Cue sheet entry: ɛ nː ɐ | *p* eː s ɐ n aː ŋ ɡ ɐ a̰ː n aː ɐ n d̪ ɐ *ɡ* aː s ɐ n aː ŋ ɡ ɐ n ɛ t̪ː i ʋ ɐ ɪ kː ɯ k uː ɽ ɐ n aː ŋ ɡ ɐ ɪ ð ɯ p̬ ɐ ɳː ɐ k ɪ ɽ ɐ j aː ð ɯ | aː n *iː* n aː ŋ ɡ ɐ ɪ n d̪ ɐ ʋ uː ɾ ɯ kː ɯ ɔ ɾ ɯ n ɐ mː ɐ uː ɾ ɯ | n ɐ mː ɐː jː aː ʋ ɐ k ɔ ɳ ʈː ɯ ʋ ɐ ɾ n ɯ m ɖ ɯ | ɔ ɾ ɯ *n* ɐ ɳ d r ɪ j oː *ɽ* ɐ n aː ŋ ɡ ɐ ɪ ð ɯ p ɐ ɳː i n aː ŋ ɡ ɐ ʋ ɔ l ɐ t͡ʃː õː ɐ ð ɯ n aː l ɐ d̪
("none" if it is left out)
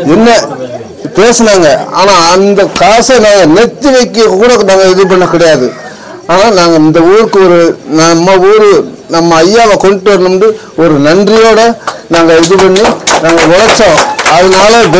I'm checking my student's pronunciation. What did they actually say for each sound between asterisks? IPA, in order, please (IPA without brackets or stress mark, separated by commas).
p, k, aː, n, ɽ